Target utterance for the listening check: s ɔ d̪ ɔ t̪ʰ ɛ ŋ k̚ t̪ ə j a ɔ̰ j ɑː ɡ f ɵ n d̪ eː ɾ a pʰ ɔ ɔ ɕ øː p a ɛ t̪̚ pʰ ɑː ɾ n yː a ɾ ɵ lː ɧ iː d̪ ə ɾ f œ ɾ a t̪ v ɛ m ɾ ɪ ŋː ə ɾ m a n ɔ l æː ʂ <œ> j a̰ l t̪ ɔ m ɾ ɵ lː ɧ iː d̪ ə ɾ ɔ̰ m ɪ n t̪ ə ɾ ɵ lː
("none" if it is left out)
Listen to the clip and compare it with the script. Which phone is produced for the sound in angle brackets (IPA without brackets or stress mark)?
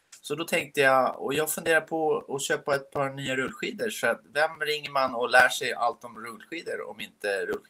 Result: ɛ